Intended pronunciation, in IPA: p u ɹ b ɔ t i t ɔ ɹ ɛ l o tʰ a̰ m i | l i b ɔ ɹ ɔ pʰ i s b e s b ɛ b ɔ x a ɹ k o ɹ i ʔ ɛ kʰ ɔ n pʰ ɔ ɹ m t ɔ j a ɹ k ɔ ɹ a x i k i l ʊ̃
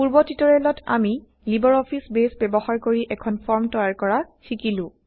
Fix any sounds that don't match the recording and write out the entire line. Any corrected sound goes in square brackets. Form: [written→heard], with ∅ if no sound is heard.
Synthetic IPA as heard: p u ɹ b ɔ t i t ɔ ɹ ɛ l [o→ɔ] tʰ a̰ m i | l i b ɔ ɹ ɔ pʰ i s b e s b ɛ b ɔ x a ɹ k o ɹ i ʔ ɛ kʰ ɔ n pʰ ɔ ɹ m t ɔ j a ɹ k ɔ ɹ a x i k i l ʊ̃